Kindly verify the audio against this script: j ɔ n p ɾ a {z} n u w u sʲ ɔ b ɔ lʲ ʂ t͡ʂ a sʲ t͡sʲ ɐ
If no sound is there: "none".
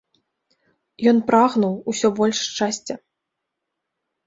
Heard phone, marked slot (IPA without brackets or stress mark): ɣ